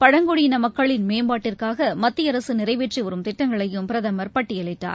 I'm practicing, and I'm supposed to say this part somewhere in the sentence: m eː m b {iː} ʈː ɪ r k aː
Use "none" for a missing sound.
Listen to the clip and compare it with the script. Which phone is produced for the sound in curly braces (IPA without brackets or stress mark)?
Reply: aː